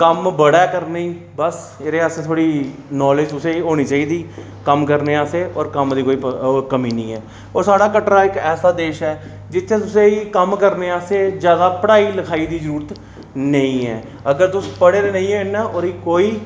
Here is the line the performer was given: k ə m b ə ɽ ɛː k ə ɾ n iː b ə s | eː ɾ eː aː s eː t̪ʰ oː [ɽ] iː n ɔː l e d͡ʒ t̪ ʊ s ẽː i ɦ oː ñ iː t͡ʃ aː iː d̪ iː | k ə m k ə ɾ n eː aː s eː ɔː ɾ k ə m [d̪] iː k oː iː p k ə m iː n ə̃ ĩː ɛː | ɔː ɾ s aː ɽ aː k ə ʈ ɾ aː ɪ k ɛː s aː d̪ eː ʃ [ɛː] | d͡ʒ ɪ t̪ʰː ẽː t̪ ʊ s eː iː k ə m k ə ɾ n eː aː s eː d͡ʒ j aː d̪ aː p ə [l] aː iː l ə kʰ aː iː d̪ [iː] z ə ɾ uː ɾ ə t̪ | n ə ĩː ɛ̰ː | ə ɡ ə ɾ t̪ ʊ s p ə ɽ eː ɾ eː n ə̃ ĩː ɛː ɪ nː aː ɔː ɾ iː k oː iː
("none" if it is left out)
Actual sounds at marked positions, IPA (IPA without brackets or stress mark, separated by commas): ɽ, d̪, ɛː, ɽ, iː